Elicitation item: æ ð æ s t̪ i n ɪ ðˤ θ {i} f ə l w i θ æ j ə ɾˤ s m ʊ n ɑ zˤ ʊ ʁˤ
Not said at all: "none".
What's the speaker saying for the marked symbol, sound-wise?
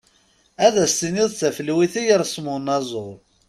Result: æ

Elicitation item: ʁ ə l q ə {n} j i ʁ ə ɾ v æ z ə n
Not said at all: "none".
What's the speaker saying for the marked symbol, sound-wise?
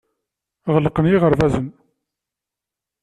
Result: n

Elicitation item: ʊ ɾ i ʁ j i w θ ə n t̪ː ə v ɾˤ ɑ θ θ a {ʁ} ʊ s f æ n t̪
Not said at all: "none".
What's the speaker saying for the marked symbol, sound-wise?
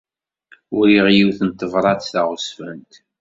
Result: ʁ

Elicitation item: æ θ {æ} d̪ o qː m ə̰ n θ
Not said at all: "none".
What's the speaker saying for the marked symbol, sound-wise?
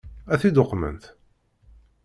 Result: i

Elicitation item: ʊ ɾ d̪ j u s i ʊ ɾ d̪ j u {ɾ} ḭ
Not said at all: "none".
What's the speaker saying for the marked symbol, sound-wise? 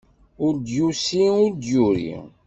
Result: ɾ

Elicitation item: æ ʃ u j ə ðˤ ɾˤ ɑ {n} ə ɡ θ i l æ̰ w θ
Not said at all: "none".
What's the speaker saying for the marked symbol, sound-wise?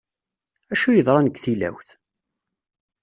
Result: n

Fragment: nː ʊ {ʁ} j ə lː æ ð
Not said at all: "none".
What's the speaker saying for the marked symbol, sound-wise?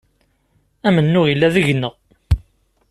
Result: ʁ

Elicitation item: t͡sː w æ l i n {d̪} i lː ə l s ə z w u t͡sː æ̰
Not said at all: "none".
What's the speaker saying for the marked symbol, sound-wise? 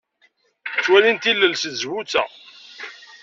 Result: t̪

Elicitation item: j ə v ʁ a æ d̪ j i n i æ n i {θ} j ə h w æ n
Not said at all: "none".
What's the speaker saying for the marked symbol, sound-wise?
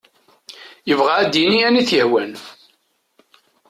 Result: θ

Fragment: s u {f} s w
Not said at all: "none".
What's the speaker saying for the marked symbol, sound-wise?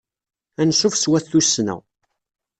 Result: f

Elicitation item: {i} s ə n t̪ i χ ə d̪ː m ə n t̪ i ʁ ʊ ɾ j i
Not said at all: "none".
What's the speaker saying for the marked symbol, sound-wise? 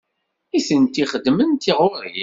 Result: i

